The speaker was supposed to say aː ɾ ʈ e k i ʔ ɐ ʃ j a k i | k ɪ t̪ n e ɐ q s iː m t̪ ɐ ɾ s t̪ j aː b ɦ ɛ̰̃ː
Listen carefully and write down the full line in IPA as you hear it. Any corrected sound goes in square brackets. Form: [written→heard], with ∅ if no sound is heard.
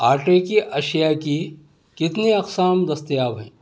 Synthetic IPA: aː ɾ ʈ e k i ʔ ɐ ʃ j a k i | k ɪ t̪ n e ɐ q s [iː→aː] m [t̪→d̪] ɐ [ɾ→∅] s t̪ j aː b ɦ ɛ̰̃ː